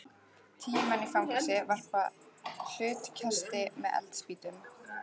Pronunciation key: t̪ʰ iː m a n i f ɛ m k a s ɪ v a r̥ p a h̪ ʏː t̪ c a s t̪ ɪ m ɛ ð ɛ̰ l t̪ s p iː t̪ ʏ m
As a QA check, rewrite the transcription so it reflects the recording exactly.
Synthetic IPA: t̪ʰ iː m a n i f a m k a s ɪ v a r̥ p a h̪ ʏː t̪ cʰ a s t̪ ɪ m ɛ ð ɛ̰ l t̪ s p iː t̪ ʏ m